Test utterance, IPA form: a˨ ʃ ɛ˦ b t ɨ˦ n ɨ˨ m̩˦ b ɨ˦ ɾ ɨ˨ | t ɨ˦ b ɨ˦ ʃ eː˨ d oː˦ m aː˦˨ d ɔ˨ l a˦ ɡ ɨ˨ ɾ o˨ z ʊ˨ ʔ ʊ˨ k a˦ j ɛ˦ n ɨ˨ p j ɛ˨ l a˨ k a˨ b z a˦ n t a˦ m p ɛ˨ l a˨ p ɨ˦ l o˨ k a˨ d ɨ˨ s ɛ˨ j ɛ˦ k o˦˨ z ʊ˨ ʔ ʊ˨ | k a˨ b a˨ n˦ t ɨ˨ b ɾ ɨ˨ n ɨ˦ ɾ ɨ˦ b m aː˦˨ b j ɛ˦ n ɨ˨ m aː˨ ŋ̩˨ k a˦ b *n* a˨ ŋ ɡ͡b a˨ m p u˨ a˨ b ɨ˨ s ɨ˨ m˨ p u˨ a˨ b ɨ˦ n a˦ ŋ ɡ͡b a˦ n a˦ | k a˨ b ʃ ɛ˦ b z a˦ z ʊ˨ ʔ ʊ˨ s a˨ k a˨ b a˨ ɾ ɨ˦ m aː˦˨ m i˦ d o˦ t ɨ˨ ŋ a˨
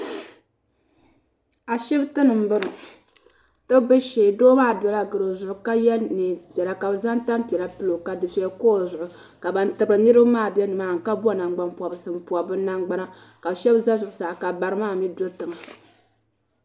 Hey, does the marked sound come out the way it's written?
yes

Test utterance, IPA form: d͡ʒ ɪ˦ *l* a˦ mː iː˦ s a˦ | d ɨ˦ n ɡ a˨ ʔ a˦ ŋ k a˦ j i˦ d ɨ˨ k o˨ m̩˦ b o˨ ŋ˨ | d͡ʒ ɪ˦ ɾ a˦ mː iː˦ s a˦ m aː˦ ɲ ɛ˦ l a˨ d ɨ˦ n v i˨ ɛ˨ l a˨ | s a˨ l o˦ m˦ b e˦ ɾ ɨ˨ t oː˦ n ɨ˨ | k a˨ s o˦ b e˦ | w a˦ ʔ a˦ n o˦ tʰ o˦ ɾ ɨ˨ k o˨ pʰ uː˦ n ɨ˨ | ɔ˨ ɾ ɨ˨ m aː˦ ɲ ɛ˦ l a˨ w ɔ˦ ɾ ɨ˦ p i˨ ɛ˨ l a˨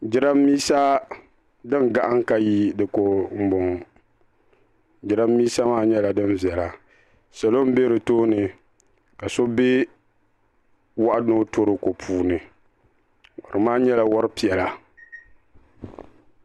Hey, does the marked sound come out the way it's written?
no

